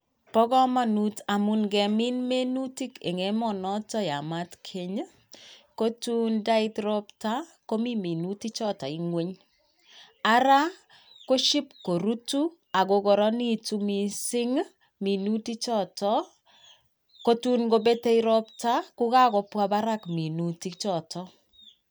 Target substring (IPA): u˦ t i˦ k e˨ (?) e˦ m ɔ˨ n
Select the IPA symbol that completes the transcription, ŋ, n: ŋ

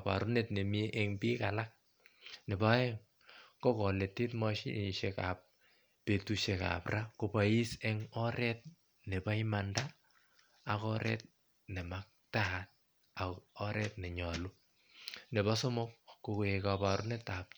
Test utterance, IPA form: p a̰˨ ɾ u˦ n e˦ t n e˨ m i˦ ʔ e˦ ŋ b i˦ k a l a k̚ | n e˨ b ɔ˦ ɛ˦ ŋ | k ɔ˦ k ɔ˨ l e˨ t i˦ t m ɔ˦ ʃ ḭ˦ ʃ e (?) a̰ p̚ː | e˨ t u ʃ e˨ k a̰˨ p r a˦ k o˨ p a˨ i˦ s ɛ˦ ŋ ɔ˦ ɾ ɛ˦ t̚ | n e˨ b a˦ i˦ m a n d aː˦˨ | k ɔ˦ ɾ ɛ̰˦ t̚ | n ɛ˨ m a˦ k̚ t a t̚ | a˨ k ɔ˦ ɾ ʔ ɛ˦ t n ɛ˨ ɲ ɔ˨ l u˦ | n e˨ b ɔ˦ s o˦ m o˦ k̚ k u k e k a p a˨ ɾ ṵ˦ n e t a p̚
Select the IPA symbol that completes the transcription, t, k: k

